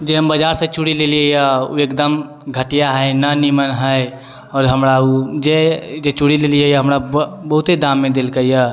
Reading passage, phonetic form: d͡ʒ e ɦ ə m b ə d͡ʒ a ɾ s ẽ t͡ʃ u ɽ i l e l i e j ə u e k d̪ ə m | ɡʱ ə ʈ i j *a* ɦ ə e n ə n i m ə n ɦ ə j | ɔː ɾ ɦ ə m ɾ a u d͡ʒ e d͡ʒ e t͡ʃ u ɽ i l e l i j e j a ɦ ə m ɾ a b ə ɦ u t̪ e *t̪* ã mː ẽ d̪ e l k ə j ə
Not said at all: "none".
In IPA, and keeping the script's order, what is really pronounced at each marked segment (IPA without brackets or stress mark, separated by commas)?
a, d̪